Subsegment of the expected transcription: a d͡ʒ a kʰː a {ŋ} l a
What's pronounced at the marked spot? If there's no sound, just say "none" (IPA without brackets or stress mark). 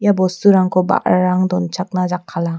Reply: none